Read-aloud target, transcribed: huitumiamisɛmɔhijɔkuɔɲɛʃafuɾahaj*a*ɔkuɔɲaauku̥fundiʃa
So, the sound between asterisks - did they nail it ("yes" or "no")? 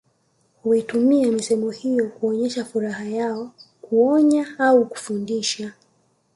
yes